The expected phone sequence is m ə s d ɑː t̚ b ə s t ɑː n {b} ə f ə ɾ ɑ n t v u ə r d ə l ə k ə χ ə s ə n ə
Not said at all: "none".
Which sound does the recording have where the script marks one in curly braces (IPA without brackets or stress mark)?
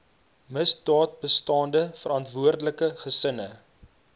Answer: d